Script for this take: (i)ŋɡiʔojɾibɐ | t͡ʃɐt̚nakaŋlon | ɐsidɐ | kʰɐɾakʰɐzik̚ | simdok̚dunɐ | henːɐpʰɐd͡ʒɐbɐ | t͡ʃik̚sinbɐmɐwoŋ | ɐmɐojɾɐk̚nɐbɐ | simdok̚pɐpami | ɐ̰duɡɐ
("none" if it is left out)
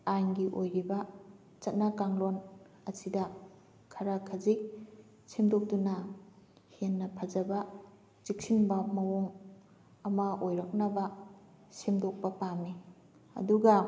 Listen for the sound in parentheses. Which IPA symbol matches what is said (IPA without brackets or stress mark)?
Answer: a